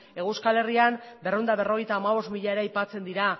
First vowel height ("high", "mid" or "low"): mid